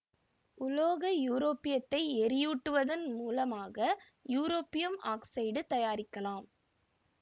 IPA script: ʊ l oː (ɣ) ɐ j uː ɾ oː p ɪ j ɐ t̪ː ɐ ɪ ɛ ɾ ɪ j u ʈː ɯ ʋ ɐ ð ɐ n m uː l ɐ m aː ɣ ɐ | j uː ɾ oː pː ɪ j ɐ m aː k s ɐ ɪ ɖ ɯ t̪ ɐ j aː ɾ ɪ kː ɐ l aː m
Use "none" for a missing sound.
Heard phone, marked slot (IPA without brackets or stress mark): ɣ